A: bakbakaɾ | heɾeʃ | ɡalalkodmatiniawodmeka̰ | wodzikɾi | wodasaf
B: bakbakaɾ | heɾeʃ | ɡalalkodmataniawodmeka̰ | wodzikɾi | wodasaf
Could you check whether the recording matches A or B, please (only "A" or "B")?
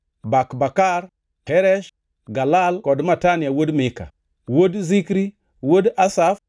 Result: B